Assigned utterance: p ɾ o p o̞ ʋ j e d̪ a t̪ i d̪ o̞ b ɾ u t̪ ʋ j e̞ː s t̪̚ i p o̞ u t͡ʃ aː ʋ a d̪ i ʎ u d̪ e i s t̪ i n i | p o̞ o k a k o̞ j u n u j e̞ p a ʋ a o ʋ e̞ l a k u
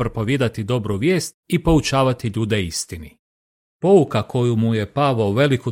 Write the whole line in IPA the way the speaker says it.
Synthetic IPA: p ɾ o p o̞ ʋ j e d̪ a t̪ i d̪ o̞ b ɾ u ʋ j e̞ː s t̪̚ i p o̞ u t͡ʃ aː ʋ a t̪ i ʎ uː d̪ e i s t̪ i n i | p o̞ u k a k o̞ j u m u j e̞ p a ʋ a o ʋ e̞ l i k u